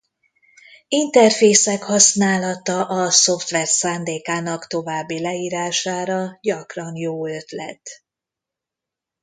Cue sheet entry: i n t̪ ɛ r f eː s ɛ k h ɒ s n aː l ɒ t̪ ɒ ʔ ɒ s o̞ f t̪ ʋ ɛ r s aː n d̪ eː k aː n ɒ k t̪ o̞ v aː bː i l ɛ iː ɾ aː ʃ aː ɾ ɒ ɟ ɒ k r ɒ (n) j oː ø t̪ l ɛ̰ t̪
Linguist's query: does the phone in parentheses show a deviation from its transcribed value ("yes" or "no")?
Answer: no